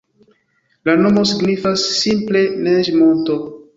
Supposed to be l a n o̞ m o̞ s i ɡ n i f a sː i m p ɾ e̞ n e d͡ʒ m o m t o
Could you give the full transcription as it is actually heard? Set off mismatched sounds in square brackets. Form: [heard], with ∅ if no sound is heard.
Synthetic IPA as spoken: l a n o̞ m o̞ s i ɡ n i f a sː i m p [l] e̞ n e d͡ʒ m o [n] t o